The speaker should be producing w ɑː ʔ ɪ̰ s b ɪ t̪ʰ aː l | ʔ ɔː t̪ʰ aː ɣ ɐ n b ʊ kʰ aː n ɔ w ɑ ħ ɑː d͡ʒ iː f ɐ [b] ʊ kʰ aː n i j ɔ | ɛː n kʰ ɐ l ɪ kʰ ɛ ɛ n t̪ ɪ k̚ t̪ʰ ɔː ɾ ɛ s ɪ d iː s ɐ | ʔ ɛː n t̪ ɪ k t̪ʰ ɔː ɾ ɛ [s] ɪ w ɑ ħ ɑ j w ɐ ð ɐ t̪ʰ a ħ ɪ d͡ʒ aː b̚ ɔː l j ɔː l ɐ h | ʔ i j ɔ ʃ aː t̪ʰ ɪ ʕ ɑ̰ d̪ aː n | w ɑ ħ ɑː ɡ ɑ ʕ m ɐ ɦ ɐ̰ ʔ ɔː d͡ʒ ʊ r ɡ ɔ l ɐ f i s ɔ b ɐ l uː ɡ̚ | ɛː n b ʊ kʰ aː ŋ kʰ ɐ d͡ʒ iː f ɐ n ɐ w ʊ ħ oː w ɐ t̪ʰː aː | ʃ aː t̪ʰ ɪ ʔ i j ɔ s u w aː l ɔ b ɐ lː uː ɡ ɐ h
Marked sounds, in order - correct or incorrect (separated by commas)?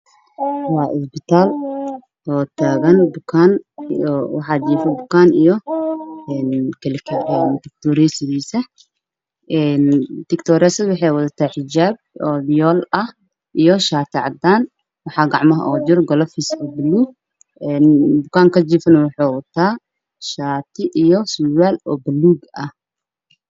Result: correct, correct